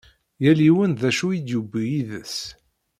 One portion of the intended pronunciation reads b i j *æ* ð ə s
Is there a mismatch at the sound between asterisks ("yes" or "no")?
yes